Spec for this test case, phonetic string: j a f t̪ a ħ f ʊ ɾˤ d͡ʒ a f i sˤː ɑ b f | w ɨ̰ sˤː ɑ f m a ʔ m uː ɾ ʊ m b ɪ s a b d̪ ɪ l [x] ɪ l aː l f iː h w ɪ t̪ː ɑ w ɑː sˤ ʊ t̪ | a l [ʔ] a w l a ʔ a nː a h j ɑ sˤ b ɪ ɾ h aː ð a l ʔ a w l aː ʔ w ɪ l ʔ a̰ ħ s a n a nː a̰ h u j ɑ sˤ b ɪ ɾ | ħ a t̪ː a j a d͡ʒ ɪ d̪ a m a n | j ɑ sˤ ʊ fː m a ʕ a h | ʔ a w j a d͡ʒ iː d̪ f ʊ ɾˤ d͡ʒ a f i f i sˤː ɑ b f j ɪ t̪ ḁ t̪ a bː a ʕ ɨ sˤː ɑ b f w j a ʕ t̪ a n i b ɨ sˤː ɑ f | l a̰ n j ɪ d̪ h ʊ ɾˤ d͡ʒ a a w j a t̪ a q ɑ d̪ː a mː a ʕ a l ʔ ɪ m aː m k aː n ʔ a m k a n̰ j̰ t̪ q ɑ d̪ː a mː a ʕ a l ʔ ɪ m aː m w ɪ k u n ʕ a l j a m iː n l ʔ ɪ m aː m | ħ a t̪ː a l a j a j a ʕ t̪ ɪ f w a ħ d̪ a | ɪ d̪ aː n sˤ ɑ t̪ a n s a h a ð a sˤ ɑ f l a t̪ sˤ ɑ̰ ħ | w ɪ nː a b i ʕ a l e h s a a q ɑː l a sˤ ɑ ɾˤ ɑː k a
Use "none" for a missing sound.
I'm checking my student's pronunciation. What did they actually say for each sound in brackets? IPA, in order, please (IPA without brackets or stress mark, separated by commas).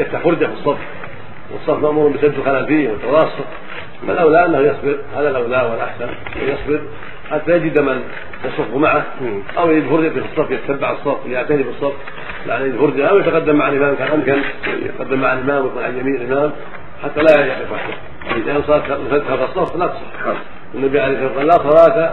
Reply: x, ʔ